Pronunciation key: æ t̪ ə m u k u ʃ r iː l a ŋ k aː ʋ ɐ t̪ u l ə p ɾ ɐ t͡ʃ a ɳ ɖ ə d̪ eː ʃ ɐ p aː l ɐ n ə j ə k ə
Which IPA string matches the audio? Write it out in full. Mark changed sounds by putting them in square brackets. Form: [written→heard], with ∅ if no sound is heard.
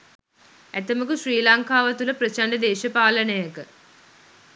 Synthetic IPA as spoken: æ t̪ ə m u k u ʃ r iː l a ŋ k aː ʋ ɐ t̪ u l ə p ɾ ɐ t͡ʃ a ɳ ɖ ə d̪ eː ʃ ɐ p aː l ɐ n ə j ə k ə